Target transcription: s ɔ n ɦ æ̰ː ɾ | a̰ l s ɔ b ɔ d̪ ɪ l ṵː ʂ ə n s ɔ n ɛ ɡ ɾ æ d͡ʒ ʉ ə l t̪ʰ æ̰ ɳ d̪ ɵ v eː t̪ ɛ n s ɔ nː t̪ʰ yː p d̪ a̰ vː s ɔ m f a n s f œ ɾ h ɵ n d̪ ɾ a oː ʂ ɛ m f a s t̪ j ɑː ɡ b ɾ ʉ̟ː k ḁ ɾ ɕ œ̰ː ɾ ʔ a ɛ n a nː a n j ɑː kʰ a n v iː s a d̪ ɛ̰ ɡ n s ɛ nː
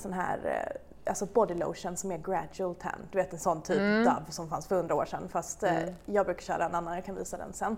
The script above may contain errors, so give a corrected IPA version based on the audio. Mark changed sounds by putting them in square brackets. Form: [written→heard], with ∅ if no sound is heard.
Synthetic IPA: s ɔ n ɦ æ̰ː ɾ | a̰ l s ɔ b ɔ d̪ ɪ l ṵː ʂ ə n s ɔ [n→m] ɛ ɡ ɾ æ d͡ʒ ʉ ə l t̪ʰ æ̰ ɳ d̪ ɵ v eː t̪ ɛ n s ɔ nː t̪ʰ yː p d̪ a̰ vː s ɔ m f a n s f œ ɾ h ɵ n d̪ ɾ a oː ʂ ɛ [m→n] f a s t̪ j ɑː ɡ b ɾ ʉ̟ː k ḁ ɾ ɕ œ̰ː ɾ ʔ a ɛ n a nː a n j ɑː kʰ a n v iː s a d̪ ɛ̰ [ɡ→∅] n s ɛ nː